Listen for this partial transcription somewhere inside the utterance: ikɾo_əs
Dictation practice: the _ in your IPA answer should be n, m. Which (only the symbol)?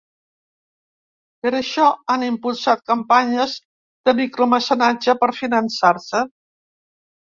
m